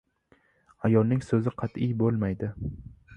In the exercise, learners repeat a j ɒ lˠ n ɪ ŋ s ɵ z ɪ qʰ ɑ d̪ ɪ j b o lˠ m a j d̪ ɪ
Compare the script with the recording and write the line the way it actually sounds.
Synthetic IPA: a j ɒ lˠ n ɪ ŋ s ɵ z ɪ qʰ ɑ t̪ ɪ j b o lˠ m a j d̪ ɪ